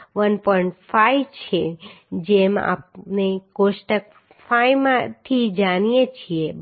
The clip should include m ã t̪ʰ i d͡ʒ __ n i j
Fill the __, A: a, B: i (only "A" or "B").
A